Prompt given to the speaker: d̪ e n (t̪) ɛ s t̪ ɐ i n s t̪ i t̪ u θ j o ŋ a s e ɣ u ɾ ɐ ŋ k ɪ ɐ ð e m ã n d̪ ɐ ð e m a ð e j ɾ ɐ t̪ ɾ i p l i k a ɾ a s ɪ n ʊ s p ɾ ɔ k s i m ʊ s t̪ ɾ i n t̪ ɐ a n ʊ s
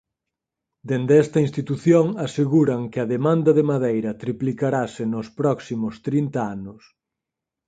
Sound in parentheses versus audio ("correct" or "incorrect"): incorrect